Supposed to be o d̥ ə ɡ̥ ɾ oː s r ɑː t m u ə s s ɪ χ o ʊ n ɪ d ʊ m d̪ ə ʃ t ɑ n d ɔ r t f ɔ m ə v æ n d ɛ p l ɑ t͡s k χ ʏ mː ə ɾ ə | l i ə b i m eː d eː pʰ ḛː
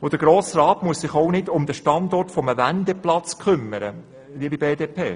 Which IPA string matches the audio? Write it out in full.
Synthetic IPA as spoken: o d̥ ə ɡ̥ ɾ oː s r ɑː t m u ə s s ɪ χ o ʊ n ɪ d ʊ m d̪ ə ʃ t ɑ n d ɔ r t f ɔ m ə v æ n d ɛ p l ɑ t͡s k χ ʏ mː ə ɾ ə | l i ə b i b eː d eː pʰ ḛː